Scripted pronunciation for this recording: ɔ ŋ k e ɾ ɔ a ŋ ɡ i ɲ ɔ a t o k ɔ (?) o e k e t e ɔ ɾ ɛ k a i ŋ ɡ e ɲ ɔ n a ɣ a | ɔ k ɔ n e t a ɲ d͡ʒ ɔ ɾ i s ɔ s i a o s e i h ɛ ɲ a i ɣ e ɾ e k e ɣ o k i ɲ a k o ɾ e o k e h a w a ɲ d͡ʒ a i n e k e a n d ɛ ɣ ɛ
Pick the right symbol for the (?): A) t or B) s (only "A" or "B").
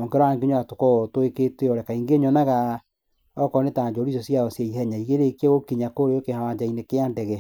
A